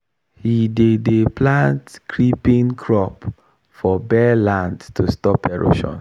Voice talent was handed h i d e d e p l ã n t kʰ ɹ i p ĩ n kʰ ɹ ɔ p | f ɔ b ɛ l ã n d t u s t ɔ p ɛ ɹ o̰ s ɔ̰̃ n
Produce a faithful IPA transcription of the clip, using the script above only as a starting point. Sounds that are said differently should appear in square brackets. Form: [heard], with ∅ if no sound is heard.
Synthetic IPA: h i d e d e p l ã n t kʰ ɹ i p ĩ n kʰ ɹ ɔ p | f ɔ b ɛ l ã n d t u s t ɔ p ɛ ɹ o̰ [ʃ] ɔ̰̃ n